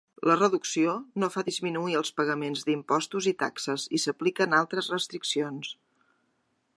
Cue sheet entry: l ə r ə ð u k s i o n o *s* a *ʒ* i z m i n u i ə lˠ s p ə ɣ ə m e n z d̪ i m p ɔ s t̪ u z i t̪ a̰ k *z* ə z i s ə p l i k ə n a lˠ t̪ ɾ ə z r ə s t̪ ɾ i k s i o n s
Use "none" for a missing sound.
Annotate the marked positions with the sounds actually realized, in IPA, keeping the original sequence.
f, ð, s

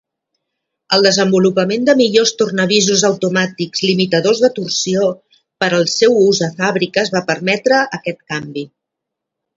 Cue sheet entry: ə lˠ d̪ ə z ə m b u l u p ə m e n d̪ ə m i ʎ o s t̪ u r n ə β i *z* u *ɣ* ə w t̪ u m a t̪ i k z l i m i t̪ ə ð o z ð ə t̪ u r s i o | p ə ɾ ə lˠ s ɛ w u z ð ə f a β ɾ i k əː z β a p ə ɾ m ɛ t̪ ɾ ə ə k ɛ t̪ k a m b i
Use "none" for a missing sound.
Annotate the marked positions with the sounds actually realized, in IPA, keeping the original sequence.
z, z

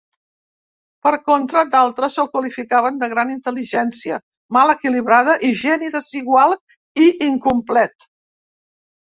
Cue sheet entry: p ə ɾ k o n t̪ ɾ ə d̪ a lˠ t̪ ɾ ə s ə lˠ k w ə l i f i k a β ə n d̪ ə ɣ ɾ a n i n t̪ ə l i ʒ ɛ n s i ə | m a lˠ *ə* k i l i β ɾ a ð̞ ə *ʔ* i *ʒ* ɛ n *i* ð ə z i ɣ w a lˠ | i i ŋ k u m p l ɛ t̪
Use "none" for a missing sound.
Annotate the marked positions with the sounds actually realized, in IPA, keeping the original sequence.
ə, ʔ, ʒ, i

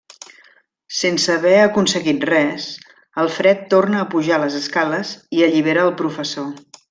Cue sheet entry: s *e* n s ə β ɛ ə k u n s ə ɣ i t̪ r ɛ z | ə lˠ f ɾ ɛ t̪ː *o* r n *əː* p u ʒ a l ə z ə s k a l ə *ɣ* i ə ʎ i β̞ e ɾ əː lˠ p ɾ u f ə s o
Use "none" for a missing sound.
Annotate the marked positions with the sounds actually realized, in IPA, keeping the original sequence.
e, o, əː, z

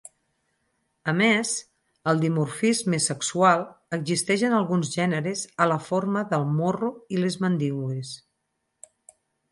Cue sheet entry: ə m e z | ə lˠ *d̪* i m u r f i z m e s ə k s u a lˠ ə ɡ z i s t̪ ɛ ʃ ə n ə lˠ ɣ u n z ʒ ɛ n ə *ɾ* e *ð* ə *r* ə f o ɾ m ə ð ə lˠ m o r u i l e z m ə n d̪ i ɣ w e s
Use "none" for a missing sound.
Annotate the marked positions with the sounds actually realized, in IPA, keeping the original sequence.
d̪, ɾ, z, l

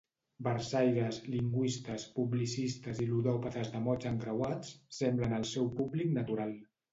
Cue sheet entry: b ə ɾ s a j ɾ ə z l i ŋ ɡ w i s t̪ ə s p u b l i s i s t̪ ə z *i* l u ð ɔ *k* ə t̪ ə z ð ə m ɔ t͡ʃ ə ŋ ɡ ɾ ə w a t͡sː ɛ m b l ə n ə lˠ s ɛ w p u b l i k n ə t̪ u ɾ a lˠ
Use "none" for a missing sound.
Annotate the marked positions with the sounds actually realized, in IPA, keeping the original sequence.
i, p

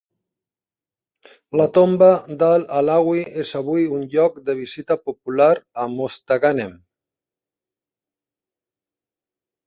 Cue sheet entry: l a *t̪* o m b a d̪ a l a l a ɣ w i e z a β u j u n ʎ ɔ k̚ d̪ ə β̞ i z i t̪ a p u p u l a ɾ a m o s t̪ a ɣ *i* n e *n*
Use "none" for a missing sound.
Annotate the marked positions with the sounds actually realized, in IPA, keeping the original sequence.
t̪, a, m

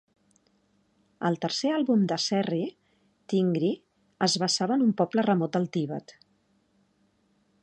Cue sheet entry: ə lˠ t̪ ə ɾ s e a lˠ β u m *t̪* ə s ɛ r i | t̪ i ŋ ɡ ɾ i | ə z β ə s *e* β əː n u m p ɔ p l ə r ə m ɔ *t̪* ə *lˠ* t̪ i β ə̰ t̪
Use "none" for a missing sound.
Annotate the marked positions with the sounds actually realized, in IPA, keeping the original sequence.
d̪, a, t̪, lˠ

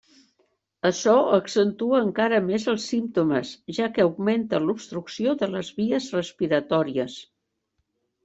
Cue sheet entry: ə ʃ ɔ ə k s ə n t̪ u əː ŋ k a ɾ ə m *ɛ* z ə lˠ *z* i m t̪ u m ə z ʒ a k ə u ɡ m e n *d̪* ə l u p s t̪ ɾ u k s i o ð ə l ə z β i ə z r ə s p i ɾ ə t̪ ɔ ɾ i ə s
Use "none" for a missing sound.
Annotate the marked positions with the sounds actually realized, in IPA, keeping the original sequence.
e, s, t̪

